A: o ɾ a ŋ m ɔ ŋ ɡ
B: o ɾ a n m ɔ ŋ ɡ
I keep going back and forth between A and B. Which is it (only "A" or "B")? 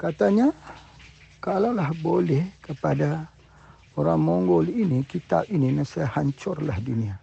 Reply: A